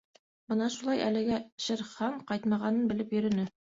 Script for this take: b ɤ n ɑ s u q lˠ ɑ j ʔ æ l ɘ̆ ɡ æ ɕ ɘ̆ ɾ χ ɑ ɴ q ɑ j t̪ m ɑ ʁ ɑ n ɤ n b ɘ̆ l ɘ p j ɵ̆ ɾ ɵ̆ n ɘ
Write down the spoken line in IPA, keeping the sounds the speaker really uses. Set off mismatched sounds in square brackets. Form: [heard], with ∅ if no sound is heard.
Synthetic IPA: b ɤ n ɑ [ʃ] u [∅] lˠ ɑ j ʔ æ l ɘ̆ ɡ æ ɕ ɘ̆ ɾ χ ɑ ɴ q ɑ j t̪ m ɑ ʁ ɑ n ɤ n b ɘ̆ l ɘ p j ɵ̆ ɾ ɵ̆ n ɘ